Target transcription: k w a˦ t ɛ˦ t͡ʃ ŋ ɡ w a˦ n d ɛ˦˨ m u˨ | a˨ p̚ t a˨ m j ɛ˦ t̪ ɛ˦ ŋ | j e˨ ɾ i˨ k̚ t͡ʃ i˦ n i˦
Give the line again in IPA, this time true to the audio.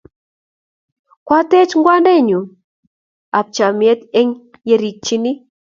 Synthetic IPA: k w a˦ t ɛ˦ t͡ʃ ŋ ɡ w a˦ n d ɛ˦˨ ɲ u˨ | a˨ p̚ t͡ʃ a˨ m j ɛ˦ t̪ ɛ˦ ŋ | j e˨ ɾ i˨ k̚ t͡ʃ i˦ n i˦